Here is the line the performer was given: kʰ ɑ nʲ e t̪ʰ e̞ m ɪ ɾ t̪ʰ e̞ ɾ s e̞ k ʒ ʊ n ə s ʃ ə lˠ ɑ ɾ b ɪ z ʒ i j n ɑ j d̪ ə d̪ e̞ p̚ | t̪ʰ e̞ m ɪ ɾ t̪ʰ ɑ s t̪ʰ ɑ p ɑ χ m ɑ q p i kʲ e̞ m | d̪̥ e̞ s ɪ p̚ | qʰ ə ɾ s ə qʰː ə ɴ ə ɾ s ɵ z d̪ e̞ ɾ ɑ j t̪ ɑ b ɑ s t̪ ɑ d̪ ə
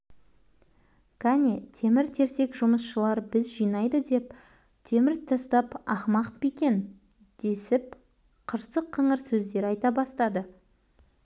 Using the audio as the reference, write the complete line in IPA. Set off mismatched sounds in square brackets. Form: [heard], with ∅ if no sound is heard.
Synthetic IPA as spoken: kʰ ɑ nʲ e t̪ʰ e̞ m ɪ ɾ t̪ʰ e̞ ɾ s e̞ k ʒ ʊ [m] ə s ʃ ə lˠ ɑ ɾ b ɪ z ʒ i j n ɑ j d̪ ə d̪ e̞ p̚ | t̪ʰ e̞ m ɪ ɾ t̪ʰ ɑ s [t̪] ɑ p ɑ χ m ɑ q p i kʲ e̞ [n] | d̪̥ e̞ s ɪ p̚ | qʰ ə ɾ s ə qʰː ə ɴ ə ɾ s ɵ z d̪ e̞ ɾ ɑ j t̪ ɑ b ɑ s t̪ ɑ d̪ ə